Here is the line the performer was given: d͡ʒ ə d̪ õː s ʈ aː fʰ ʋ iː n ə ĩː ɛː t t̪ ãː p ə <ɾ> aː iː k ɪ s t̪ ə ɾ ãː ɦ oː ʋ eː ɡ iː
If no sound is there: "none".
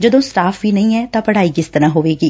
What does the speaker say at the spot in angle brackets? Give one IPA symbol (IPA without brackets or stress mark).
ɽ